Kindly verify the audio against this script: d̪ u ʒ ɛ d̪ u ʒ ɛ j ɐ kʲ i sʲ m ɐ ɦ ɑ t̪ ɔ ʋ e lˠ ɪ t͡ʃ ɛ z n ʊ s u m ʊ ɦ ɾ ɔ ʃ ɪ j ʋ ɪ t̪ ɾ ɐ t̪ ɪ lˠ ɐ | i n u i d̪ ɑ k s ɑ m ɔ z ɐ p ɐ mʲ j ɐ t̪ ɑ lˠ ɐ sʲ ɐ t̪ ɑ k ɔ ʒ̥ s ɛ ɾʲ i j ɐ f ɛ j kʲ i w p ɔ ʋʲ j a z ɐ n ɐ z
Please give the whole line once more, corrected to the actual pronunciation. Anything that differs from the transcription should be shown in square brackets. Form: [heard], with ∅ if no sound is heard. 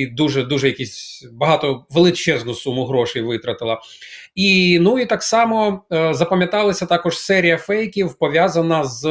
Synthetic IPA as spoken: d̪ u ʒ ɛ d̪ u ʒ ɛ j ɐ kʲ i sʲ [b] ɐ ɦ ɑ t̪ ɔ ʋ e lˠ ɪ t͡ʃ ɛ z n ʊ s u m ʊ ɦ ɾ ɔ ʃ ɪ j ʋ ɪ t̪ ɾ ɐ t̪ ɪ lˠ ɐ | i n u i [t̪] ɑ k s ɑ m ɔ z ɐ p ɐ mʲ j ɐ t̪ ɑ lˠ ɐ sʲ ɐ t̪ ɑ k ɔ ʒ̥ s ɛ ɾʲ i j ɐ f ɛ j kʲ i w p ɔ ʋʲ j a z ɐ n ɐ z